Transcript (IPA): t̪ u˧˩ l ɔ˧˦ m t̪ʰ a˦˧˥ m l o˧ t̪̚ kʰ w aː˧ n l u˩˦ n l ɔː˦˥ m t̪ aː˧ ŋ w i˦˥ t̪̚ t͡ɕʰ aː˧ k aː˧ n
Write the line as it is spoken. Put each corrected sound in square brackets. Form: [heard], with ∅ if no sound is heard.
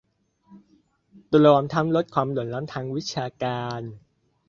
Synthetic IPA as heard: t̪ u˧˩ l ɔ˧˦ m t̪ʰ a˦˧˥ m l [o˦˥] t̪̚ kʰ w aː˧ [m] l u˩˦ n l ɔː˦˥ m [t̪ʰ] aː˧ ŋ w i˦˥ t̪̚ t͡ɕʰ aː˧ k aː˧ n